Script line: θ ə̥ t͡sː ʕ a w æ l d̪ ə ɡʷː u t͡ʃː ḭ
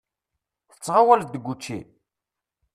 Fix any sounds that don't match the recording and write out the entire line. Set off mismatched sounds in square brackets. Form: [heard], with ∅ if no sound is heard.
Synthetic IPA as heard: θ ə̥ t͡sː [ʁ] a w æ l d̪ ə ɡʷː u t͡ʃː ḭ